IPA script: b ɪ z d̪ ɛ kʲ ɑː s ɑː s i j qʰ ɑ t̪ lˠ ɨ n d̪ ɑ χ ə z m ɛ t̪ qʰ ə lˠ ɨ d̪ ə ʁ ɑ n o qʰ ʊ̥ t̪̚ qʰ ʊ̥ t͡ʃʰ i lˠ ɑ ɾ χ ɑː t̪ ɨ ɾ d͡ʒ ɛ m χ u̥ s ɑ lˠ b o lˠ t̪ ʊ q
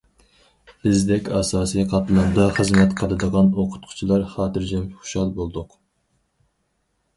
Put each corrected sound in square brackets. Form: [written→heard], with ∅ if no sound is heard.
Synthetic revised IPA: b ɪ z d̪ ɛ kʲ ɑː s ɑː s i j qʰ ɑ t̪ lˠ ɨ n d̪ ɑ χ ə z m ɛ t̪ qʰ ə lˠ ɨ d̪ ə ʁ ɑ n o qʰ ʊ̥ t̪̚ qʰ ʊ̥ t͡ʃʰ i lˠ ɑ ɾ χ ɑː t̪ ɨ ɾ d͡ʒ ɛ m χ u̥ [s→ʃ] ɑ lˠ b o lˠ [t̪→d̪] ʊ q